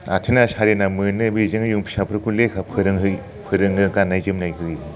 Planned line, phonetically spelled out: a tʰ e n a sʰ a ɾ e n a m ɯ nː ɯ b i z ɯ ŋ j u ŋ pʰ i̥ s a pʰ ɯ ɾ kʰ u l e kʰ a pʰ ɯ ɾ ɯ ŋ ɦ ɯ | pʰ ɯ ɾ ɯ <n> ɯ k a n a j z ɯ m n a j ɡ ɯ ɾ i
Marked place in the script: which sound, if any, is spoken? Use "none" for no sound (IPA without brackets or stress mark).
ŋ